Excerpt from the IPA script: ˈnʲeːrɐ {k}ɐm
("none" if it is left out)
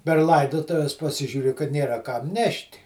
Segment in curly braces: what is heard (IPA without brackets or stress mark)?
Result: k